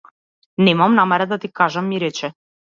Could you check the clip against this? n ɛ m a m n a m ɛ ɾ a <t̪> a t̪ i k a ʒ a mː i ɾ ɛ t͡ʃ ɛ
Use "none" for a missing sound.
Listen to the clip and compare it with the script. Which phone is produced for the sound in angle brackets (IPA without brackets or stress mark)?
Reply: d̪